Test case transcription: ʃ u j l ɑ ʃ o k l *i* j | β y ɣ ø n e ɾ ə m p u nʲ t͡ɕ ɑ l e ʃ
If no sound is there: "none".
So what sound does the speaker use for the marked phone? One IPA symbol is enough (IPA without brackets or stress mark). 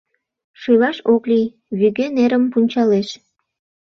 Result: i